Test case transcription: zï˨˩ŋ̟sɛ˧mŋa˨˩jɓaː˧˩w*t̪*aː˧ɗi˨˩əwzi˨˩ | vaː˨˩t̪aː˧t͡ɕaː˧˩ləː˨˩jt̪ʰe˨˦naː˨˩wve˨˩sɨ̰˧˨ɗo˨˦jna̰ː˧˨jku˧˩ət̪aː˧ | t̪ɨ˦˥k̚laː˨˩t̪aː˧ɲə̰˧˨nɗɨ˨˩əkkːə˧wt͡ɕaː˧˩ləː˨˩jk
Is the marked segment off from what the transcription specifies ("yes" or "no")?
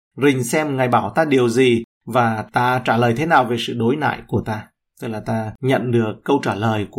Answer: no